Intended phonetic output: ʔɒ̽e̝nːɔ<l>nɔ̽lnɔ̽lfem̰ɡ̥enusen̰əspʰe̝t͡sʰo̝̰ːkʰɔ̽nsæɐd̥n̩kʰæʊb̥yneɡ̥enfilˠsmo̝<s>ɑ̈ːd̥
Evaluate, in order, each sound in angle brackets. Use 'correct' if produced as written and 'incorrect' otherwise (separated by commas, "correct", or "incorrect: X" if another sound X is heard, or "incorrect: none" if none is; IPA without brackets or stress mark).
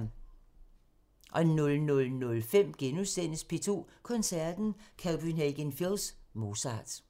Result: correct, correct